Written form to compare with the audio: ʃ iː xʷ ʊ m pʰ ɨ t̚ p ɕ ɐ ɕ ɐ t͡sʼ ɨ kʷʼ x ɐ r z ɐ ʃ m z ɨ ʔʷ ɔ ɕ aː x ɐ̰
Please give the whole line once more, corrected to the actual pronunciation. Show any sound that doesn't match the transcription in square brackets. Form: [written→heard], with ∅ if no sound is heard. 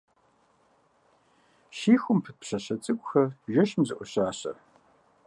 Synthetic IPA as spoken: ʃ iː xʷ ʊ m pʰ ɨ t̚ p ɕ ɐ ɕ ɐ t͡sʼ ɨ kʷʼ x ɐ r [z→ʒ] ɐ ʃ m z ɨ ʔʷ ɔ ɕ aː [x→ɕ] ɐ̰